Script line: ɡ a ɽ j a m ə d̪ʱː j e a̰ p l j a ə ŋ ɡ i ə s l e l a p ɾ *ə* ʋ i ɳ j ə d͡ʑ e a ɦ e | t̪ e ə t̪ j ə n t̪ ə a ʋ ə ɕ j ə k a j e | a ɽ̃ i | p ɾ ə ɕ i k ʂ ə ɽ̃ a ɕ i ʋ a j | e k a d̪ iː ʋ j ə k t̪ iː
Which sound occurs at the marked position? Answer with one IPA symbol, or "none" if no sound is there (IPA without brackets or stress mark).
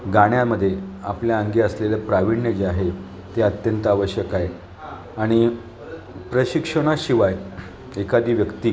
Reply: a